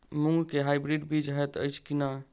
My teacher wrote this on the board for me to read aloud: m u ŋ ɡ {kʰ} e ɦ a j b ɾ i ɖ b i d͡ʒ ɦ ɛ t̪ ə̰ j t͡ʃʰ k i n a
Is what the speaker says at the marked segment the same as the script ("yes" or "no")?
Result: no